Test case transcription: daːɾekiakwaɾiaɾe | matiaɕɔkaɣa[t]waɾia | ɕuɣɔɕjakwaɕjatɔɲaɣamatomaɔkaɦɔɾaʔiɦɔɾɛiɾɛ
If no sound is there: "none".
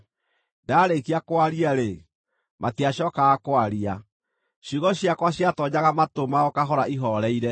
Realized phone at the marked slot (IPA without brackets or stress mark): k